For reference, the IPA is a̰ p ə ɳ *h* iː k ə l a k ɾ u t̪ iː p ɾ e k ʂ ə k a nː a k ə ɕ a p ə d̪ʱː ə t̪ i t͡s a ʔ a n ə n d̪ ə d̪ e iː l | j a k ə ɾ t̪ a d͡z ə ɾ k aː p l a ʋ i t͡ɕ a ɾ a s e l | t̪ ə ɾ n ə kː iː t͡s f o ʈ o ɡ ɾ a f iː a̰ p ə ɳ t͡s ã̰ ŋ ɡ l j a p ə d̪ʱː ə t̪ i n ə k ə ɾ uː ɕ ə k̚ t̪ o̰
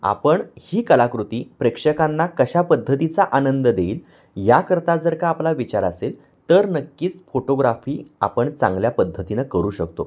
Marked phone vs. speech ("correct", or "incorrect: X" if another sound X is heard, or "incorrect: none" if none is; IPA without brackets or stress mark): correct